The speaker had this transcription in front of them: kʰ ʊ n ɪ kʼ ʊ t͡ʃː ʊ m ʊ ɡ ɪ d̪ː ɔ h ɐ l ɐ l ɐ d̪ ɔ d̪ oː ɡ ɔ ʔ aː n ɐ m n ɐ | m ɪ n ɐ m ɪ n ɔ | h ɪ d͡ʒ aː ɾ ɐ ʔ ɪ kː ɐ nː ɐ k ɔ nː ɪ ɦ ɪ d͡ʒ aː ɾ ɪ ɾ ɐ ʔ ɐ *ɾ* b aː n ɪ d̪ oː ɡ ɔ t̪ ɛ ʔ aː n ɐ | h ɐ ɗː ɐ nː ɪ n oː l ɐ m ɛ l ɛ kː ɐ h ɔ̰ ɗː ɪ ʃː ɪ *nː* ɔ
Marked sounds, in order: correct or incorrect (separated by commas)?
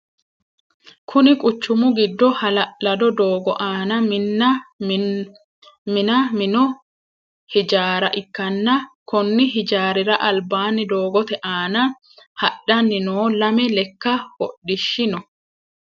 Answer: incorrect, incorrect